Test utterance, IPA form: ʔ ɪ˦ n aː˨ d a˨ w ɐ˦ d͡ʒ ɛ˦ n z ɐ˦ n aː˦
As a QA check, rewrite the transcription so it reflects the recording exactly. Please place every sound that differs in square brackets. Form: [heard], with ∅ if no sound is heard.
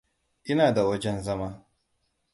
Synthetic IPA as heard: ʔ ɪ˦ n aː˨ d a˨ w ɐ˦ d͡ʒ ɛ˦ n z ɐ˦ [m] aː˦